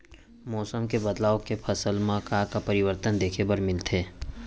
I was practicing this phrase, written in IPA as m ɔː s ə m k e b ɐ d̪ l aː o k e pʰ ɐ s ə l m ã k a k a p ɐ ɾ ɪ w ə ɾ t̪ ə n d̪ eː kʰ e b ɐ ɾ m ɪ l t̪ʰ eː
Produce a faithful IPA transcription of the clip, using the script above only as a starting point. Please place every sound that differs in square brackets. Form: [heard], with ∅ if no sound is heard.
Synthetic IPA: m ɔː s ə m k e b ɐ d̪ l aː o k e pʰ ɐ s ə l m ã k a k a p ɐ ɾ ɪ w ə ɾ t̪ ə n d̪ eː kʰ e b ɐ ɾ m ɪ l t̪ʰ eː